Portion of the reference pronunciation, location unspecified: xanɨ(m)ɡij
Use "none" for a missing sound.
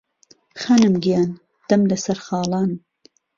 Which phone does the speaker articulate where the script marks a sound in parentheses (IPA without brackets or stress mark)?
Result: m